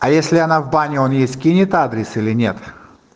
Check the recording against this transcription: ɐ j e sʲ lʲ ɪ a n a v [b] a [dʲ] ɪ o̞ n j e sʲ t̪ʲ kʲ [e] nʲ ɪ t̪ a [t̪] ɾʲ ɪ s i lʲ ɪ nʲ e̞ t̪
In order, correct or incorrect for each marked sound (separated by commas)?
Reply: correct, incorrect, incorrect, incorrect